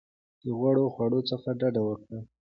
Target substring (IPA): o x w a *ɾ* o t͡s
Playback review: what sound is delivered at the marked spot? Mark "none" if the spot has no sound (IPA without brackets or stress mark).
ɽ